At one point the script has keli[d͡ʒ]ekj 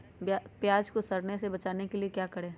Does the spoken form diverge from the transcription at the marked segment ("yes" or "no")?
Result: yes